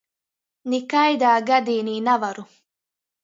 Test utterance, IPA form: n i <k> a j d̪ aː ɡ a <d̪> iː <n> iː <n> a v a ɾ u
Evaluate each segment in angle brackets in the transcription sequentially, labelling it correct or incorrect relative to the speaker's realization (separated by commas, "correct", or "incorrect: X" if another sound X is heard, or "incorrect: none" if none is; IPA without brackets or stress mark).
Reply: correct, correct, correct, correct